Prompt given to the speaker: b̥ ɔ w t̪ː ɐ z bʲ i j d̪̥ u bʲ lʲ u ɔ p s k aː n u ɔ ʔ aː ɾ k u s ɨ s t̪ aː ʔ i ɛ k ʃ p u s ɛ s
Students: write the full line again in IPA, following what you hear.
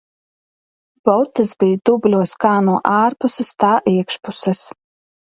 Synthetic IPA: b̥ ɔ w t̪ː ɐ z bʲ i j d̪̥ u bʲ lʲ u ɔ s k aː n u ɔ ʔ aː ɾ p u s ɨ s t̪ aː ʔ i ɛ k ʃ p u s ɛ s